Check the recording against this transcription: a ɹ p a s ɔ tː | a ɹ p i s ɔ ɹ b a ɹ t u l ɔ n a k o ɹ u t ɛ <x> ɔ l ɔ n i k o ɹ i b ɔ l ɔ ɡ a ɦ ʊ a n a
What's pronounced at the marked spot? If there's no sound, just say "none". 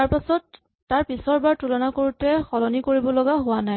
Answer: x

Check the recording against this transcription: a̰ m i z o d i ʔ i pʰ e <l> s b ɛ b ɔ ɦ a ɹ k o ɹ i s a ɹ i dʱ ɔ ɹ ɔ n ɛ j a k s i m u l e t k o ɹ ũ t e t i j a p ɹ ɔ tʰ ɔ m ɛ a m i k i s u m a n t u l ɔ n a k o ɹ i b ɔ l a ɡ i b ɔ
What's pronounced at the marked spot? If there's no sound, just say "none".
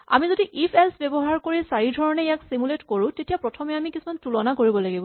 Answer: l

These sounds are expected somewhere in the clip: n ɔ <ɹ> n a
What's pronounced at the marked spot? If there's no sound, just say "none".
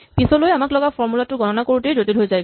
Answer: none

